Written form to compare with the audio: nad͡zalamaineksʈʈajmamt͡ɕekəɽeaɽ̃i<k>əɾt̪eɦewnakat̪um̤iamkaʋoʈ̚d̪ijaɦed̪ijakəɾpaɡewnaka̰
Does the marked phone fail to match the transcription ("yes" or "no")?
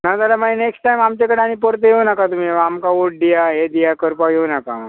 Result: yes